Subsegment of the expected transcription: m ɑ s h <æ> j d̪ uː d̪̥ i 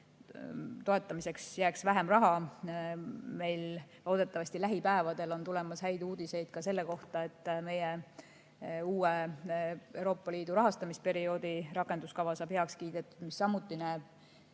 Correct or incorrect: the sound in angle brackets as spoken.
correct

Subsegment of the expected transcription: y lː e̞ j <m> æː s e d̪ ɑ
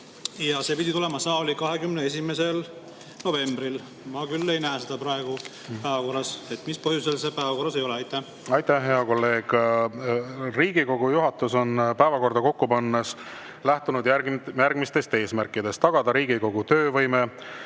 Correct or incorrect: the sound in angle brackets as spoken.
incorrect: n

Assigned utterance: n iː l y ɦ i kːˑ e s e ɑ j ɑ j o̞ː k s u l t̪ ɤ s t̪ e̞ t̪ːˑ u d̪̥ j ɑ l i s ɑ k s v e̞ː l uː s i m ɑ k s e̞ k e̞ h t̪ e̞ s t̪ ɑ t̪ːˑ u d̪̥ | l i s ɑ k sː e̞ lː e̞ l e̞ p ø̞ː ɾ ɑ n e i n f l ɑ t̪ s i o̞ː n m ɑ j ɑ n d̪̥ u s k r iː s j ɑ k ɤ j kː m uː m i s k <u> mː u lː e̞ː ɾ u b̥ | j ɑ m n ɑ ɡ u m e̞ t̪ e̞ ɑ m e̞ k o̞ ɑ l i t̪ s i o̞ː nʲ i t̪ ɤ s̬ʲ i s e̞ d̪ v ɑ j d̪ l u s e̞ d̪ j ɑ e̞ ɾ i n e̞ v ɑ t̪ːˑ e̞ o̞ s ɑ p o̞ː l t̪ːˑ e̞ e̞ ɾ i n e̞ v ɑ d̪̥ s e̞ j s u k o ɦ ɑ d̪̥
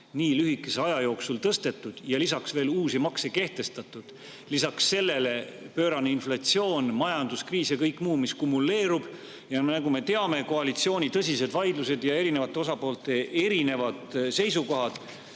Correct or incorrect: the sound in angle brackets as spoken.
correct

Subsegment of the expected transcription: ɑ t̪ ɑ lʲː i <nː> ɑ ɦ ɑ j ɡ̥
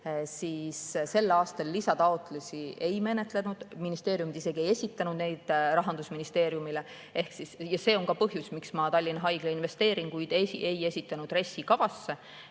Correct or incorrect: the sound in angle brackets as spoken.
incorrect: n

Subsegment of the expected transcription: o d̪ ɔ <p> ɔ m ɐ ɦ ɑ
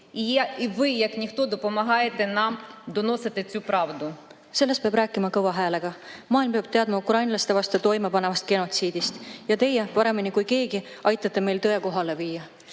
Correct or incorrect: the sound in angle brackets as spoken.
correct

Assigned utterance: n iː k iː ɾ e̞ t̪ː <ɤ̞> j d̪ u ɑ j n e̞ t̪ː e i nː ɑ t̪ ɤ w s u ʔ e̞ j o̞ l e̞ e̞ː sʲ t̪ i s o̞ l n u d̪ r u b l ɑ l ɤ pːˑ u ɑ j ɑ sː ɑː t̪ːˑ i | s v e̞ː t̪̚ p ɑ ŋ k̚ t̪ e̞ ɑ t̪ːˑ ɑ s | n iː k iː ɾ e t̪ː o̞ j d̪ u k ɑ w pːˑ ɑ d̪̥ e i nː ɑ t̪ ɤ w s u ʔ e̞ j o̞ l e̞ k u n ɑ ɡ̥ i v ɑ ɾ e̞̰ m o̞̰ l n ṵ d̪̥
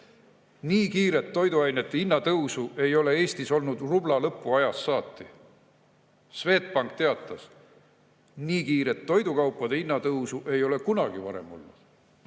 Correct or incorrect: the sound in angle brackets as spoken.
incorrect: o̞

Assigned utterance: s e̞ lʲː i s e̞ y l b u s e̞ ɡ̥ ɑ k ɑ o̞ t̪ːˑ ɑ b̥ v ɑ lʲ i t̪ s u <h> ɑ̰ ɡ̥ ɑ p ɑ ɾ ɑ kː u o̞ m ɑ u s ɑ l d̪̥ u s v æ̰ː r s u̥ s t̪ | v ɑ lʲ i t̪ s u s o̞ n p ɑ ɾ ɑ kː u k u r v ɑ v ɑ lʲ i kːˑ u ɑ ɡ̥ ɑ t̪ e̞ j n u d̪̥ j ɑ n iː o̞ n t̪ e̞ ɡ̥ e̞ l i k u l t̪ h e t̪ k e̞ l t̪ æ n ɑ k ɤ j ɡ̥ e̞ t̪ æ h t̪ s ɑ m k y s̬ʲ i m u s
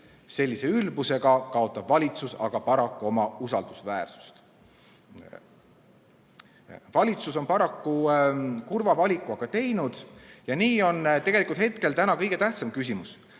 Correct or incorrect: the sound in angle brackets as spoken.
incorrect: s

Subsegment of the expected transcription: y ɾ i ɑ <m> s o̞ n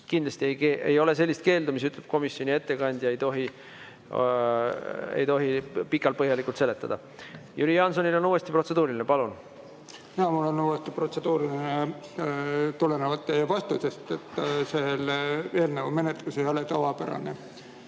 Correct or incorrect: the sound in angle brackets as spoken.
incorrect: n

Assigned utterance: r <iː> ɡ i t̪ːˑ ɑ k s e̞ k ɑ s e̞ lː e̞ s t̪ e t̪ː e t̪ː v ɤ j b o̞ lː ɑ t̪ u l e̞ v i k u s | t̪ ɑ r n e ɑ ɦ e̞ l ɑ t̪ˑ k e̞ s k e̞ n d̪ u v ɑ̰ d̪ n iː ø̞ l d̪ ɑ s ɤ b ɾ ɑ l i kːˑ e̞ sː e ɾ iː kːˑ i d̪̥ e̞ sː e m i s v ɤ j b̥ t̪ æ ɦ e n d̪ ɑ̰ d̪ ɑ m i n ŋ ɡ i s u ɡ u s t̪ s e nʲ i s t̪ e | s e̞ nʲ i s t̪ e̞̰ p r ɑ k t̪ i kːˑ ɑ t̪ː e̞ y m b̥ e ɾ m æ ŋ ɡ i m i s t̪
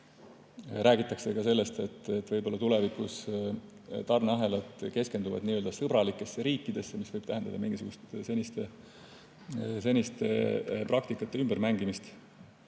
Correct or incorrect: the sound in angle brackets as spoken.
incorrect: æː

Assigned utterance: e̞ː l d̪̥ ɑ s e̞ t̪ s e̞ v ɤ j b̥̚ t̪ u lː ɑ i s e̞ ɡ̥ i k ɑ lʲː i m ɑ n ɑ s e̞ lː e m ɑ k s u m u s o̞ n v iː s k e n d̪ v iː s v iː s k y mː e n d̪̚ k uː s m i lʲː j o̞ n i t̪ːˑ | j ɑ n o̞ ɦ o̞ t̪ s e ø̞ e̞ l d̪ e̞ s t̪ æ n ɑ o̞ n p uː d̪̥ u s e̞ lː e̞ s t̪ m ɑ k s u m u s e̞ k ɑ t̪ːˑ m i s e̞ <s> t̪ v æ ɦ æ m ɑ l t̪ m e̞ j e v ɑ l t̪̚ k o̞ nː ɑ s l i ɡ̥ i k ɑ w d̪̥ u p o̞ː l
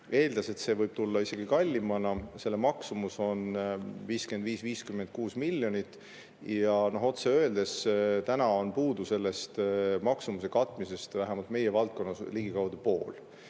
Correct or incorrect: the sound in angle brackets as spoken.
correct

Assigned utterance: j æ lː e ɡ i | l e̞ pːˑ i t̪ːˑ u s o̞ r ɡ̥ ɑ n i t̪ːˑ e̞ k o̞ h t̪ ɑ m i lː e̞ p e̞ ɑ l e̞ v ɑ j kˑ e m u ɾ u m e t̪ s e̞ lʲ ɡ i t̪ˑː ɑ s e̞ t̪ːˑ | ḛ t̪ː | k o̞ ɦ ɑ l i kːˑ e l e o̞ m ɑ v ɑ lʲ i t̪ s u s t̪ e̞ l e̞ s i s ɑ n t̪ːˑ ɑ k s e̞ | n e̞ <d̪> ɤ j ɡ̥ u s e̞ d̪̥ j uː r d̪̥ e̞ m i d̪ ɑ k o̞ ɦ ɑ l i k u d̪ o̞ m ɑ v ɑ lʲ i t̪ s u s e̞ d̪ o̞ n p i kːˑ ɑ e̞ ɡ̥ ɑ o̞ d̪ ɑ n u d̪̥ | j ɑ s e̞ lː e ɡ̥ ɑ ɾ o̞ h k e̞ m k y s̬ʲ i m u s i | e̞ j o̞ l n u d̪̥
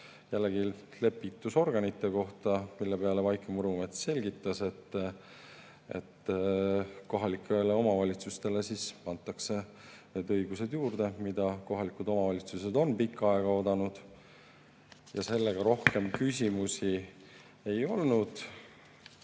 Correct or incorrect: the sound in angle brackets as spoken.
correct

